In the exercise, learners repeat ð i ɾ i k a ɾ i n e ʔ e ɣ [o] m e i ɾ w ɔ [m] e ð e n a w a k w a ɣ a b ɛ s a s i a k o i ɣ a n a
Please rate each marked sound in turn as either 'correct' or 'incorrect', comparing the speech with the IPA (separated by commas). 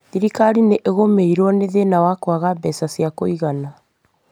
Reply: correct, incorrect